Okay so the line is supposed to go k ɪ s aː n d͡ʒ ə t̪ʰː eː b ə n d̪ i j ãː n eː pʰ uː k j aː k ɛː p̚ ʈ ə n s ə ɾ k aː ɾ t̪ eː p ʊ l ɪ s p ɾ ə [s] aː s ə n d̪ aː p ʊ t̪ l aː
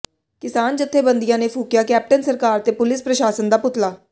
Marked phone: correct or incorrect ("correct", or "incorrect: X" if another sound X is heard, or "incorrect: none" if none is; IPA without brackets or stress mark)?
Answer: incorrect: ʃ